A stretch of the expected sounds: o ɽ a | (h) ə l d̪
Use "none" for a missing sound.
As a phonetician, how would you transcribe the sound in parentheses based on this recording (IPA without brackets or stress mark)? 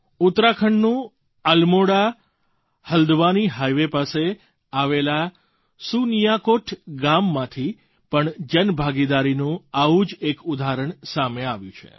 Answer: h